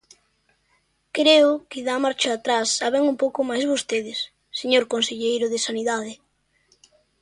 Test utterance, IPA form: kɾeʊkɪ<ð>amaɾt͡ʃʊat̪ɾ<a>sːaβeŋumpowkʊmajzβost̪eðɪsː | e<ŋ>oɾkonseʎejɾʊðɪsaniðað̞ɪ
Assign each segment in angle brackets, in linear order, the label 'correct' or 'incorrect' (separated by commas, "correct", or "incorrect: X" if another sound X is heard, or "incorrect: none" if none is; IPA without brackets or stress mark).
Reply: correct, correct, incorrect: ɲ